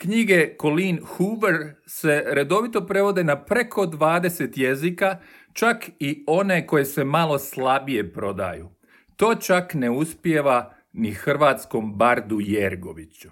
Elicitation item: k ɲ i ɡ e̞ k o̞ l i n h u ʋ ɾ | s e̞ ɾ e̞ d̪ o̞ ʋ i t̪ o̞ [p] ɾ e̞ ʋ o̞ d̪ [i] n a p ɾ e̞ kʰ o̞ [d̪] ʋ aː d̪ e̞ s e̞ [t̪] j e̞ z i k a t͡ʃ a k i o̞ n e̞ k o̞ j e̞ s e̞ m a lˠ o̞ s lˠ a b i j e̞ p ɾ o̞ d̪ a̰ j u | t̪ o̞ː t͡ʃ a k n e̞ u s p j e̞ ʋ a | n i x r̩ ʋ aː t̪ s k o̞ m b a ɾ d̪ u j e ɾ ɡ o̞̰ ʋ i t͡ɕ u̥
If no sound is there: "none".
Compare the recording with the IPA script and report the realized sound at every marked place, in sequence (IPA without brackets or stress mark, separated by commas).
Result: p, e, d̪, t̪